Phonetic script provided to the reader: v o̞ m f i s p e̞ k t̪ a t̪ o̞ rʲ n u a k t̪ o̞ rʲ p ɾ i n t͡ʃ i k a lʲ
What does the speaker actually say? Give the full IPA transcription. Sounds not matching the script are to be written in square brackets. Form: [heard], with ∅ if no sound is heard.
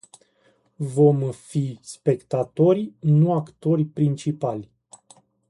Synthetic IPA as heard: v o̞ m f i s p e̞ k t̪ a t̪ o̞ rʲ n u a k t̪ o̞ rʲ p ɾ i n t͡ʃ i [p] a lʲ